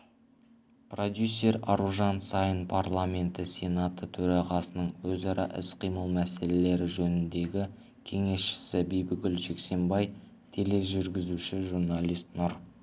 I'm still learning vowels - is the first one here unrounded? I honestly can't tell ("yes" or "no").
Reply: no